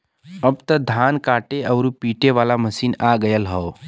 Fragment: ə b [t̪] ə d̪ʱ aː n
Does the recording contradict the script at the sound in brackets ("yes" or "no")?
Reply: no